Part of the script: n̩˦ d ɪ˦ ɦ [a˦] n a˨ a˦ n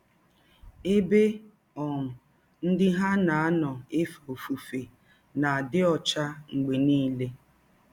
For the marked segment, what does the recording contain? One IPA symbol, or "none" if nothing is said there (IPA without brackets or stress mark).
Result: a˦